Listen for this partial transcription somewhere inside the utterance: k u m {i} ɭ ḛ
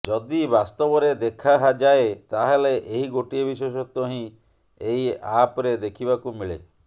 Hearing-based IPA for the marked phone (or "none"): i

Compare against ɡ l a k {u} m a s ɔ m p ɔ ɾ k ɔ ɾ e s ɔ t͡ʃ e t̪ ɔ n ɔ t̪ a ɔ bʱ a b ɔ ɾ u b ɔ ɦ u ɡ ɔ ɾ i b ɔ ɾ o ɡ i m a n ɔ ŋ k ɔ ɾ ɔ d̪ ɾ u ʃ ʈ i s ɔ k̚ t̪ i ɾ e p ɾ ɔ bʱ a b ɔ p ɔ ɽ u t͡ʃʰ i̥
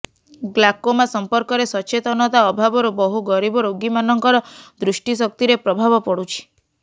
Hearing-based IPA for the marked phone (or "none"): o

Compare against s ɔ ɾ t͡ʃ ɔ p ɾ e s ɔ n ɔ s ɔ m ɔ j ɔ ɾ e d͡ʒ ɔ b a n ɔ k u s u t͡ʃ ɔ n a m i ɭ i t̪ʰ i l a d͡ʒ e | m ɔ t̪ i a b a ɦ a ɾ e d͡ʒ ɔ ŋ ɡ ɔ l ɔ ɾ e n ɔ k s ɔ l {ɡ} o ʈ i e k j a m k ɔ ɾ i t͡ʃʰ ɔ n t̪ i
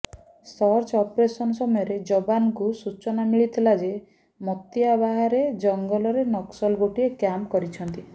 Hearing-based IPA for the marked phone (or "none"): ɡ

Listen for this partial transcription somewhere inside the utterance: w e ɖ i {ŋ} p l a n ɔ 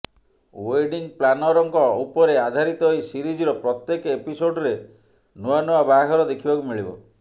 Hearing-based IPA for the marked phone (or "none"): ŋ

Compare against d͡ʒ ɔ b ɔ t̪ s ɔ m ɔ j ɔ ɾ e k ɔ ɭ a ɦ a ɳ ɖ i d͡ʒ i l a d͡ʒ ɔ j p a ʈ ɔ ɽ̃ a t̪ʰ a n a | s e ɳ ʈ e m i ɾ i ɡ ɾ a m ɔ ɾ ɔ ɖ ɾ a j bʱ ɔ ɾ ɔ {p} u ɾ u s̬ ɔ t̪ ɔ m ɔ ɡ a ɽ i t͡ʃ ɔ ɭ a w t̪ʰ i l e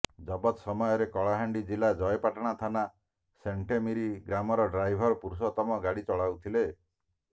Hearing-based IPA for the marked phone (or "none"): p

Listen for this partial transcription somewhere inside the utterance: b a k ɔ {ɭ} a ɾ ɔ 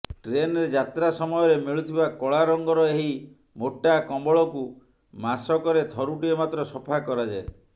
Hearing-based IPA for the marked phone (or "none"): ɭ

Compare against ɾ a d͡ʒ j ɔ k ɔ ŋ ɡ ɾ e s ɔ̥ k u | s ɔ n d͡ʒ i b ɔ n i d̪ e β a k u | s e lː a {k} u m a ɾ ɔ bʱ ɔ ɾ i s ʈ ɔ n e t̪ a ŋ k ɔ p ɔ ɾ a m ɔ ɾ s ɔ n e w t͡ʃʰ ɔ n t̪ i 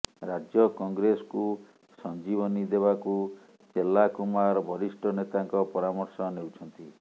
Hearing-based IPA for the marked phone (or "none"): k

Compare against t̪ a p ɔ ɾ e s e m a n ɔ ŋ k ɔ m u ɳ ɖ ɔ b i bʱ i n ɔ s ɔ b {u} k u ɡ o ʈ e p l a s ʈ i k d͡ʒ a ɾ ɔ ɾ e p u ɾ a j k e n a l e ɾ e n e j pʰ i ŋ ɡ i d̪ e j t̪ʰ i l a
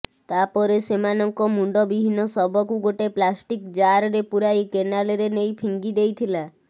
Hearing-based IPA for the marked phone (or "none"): ɔ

